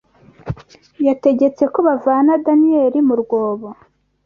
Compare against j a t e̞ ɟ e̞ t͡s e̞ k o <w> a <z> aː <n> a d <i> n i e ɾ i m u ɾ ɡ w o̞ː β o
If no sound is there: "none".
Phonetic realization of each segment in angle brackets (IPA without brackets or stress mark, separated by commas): β, v, n, a